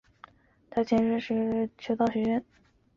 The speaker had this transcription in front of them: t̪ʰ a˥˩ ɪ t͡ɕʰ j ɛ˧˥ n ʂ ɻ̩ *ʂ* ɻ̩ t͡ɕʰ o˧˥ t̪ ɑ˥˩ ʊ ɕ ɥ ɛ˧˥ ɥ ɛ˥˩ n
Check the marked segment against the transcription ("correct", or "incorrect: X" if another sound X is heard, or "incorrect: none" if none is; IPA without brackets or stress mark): correct